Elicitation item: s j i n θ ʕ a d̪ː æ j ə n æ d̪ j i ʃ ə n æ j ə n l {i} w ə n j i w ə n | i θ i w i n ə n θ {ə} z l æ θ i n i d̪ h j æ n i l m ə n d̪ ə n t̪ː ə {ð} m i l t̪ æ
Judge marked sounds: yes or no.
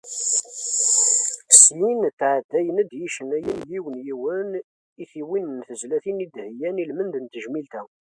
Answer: yes, yes, no

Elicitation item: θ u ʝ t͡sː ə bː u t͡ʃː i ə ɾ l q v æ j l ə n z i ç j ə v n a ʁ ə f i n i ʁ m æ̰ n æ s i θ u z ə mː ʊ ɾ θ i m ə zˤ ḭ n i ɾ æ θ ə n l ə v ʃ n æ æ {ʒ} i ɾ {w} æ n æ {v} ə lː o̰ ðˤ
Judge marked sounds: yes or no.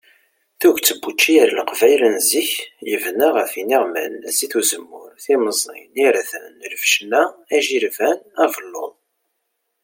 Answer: yes, no, yes

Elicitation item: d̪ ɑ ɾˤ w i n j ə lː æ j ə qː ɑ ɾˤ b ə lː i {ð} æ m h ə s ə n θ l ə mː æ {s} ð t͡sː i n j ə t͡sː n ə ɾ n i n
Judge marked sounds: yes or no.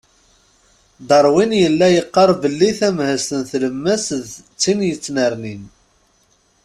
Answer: no, yes

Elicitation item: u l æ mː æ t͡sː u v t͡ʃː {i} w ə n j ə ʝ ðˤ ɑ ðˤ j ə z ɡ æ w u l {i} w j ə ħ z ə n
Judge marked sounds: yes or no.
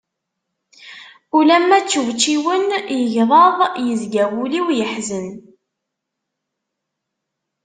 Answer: yes, yes

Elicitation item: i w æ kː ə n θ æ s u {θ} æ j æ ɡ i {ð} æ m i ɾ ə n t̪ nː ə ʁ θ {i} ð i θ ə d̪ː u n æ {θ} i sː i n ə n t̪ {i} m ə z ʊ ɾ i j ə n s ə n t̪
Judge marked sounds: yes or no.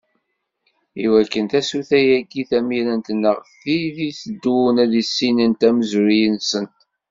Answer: yes, no, yes, no, no

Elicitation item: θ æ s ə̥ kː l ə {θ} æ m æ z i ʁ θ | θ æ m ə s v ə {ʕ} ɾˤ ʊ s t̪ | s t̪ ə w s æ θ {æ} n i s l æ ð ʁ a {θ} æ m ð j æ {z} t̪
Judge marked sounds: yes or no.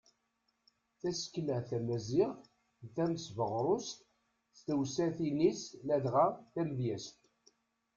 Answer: yes, no, no, yes, no

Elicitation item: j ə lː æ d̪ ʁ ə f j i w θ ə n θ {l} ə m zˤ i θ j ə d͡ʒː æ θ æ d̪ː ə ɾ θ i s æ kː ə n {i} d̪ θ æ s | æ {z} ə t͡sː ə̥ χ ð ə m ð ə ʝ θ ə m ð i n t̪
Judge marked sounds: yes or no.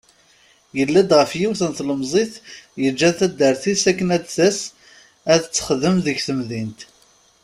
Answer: yes, no, no

